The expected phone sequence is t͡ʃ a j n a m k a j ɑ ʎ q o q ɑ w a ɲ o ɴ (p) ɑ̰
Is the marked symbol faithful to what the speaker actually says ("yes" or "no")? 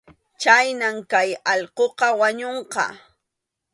no